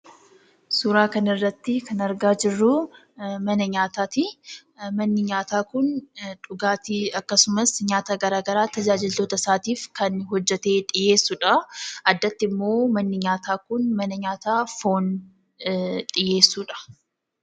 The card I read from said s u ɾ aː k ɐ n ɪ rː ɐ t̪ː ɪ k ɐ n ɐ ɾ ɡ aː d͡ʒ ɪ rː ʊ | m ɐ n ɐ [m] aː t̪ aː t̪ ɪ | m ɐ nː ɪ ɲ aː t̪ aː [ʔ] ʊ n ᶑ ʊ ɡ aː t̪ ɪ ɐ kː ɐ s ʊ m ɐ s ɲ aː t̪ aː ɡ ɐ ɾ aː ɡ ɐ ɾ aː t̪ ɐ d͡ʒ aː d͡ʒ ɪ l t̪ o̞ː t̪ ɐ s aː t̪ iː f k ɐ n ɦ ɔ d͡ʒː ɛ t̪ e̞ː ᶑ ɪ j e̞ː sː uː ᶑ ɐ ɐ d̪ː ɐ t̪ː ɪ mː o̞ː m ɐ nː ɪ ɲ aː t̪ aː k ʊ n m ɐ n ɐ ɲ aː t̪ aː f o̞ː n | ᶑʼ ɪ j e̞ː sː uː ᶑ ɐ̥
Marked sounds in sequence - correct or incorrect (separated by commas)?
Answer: incorrect, incorrect